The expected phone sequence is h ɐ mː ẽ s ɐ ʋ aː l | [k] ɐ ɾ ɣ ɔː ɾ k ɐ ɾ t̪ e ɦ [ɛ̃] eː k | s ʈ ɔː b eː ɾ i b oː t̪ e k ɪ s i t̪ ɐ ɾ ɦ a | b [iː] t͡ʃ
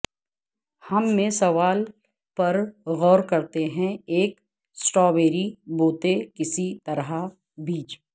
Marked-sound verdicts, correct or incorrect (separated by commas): incorrect, correct, correct